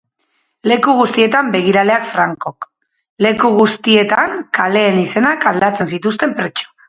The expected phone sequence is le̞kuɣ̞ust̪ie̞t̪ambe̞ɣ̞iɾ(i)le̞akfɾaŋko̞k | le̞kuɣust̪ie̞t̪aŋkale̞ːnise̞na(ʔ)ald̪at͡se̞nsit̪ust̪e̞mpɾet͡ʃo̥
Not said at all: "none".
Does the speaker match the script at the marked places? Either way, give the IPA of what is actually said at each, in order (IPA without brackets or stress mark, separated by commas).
a, k